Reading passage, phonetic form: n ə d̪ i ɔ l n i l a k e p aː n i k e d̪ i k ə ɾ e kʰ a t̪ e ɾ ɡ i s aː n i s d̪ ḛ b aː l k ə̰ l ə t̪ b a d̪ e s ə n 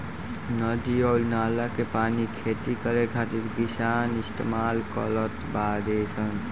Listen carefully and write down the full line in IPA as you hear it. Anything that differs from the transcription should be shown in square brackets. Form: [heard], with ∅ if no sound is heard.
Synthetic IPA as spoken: n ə d̪ i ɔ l n [a] l a k e p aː n i [kʰ] e [t̪] i k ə ɾ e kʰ a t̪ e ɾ ɡ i s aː n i s [t̪] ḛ [m] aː l k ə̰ l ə t̪ b a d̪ e s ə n